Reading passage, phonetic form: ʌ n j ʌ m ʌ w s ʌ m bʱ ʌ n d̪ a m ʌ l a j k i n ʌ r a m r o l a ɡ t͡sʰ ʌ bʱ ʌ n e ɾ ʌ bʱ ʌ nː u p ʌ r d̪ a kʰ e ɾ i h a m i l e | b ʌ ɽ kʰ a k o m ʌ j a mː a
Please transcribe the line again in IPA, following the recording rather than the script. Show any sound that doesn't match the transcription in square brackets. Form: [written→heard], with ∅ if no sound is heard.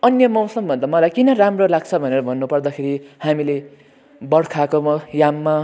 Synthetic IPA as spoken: ʌ n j ʌ m ʌ w s ʌ m bʱ ʌ n d̪ a m ʌ l a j k i n ʌ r a m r o l a ɡ t͡sʰ ʌ bʱ ʌ n e ɾ ʌ bʱ ʌ nː u p ʌ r d̪ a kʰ e ɾ i h a m i l e | b ʌ ɽ kʰ a k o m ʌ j a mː a